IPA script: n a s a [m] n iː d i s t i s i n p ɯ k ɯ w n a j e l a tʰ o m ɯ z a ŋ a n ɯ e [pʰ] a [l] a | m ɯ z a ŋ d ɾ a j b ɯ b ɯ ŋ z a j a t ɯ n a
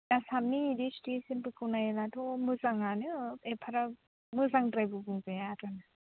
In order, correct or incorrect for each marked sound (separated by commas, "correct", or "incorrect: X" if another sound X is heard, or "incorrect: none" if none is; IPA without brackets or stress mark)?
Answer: correct, correct, incorrect: ɾ